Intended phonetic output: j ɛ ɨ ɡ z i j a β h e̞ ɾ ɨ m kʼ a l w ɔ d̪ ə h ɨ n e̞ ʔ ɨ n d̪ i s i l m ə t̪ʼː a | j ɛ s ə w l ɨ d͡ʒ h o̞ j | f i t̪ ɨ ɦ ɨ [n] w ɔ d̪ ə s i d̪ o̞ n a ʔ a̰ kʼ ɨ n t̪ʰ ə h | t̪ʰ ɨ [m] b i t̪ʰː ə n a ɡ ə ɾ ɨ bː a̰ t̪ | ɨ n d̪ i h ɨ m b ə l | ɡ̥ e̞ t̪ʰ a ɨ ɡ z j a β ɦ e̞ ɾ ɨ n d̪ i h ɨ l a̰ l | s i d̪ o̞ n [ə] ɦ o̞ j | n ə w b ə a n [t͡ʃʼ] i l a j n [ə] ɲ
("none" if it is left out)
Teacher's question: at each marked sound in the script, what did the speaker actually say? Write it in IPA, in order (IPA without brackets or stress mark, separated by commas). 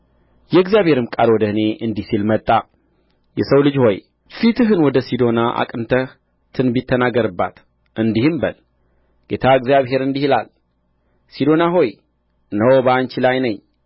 n, n, a, t͡ʃ, ə